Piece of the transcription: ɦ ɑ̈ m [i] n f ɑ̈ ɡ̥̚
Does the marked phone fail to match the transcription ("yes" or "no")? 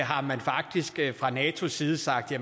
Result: yes